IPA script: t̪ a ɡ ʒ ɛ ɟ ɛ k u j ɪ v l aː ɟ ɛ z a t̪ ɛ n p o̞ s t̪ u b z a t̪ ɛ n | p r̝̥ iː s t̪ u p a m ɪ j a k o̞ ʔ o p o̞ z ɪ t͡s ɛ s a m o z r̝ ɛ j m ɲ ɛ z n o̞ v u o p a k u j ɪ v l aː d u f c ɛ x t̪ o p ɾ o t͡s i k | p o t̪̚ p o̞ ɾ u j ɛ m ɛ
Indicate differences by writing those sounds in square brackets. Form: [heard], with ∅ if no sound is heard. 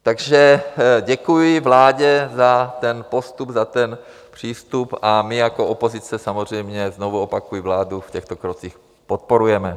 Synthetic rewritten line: t̪ a ɡ ʒ ɛ ɟ ɛ k u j ɪ v l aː ɟ ɛ z a t̪ ɛ n p o̞ s t̪ u b z a t̪ ɛ n | p r̝̥ iː s t̪ u p a m ɪ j a k o̞ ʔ o p o̞ z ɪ t͡s ɛ s a m o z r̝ ɛ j m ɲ ɛ z n o̞ v u o p a k u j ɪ v l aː d u f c ɛ x t̪ o [k] ɾ o t͡s i [x] | p o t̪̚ p o̞ ɾ u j ɛ m ɛ